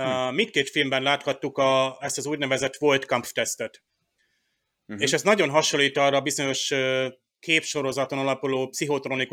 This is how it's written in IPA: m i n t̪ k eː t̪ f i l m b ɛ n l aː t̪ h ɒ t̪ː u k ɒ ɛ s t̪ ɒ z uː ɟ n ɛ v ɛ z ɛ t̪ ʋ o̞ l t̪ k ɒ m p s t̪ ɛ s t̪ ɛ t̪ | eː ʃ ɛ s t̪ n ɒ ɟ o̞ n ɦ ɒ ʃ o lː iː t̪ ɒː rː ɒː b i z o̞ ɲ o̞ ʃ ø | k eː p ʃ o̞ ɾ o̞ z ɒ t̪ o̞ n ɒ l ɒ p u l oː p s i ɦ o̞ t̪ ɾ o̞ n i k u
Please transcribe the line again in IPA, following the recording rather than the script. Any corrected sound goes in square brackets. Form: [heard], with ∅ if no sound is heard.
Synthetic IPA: m i n t̪ k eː t̪ f i l m b ɛ n l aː t̪ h ɒ t̪ː u k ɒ ɛ s t̪ ɒ z uː ɟ n ɛ v ɛ z ɛ t̪ ʋ o̞ l t̪ k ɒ m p [f] t̪ ɛ s t̪ ɛ t̪ | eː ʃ ɛ s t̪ n ɒ ɟ o̞ n ɦ ɒ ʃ o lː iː t̪ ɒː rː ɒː b i z o̞ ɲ o̞ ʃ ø | k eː p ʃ o̞ ɾ o̞ z ɒ t̪ o̞ n ɒ l ɒ p u l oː p s i ɦ o̞ t̪ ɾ o̞ n i k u